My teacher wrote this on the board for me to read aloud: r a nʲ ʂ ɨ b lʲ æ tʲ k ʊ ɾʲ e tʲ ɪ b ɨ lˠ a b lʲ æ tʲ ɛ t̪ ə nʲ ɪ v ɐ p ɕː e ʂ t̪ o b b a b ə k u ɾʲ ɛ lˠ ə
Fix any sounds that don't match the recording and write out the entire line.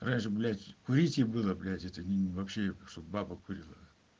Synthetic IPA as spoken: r a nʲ ʂ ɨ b lʲ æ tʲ k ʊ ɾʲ i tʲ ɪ b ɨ lˠ ə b lʲ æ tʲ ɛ t̪ ə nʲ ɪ v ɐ p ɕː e ʂ t̪ o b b a b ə k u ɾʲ i lˠ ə